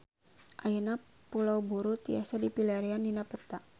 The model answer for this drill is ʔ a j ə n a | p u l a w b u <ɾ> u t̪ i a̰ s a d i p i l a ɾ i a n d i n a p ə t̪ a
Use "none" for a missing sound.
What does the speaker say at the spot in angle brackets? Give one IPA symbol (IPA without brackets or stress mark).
ɾ